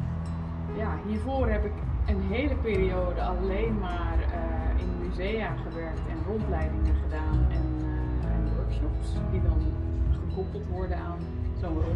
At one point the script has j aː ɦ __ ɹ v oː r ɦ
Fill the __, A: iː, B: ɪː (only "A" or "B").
A